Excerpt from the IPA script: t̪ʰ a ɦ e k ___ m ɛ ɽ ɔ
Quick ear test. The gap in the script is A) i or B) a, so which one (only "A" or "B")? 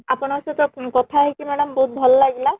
A